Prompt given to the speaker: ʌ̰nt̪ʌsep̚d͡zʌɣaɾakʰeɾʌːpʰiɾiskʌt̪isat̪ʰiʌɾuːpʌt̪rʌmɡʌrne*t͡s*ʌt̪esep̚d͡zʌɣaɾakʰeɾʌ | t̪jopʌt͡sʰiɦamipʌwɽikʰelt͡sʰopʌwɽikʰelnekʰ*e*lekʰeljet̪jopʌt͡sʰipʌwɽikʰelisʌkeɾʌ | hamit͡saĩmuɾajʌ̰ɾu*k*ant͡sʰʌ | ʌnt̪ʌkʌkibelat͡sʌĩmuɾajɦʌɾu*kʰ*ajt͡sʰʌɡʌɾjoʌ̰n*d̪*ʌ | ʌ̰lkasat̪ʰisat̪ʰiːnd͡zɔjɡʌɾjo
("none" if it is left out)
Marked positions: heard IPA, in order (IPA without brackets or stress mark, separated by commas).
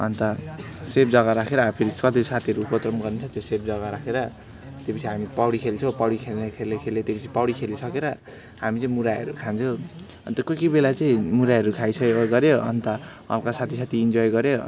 t͡sʰ, e, kʰ, kʰ, t̪